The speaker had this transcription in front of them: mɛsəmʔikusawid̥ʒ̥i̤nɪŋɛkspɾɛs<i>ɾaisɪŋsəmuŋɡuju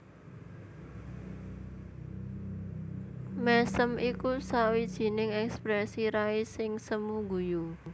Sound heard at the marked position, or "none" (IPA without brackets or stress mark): i